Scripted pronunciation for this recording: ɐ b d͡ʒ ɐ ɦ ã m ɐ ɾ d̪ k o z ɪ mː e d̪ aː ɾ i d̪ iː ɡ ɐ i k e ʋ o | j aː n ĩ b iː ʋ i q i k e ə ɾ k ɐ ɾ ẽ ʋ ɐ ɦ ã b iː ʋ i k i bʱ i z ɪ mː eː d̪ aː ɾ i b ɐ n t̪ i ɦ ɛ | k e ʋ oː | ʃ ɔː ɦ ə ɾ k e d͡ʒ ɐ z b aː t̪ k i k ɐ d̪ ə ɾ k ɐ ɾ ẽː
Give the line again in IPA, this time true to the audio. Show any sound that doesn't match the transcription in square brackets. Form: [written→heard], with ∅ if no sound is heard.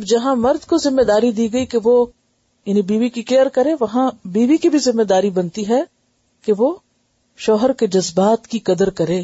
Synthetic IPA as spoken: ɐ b d͡ʒ ɐ ɦ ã m ɐ ɾ d̪ k o z ɪ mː e d̪ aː ɾ i d̪ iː ɡ ɐ i k e ʋ o | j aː n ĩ b iː ʋ i [q→k] i k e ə ɾ k ɐ ɾ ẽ ʋ ɐ ɦ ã b iː ʋ i k i bʱ i z ɪ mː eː d̪ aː ɾ i b ɐ n t̪ i ɦ ɛ | k e ʋ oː | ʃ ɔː ɦ ə ɾ k e d͡ʒ ɐ z b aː t̪ k i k ɐ d̪ ə ɾ k ɐ ɾ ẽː